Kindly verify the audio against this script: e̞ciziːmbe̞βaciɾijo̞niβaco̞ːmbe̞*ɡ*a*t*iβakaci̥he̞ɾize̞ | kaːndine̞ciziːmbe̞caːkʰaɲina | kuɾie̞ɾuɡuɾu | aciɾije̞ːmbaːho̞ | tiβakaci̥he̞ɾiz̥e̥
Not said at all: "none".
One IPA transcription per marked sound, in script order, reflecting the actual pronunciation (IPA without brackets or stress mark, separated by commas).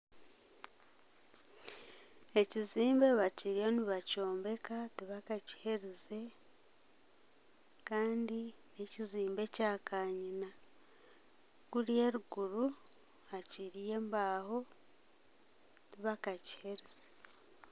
k, t